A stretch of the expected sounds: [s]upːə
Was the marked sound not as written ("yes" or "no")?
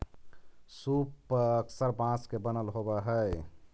no